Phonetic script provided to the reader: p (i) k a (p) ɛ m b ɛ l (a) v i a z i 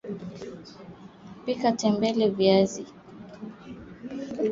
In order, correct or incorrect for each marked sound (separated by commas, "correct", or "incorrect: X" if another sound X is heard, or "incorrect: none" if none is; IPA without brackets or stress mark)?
correct, incorrect: t, incorrect: ɛ